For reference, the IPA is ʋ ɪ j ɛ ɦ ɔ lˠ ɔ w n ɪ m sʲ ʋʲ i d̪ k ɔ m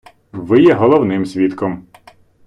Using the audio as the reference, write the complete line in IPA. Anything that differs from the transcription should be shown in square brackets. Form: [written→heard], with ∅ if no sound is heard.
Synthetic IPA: ʋ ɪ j ɛ ɦ ɔ lˠ ɔ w n ɪ m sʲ ʋʲ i [d̪→t̪] k ɔ m